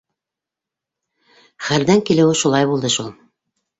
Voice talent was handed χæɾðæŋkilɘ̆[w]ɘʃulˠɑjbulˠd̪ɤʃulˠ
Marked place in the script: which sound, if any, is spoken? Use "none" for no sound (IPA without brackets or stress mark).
w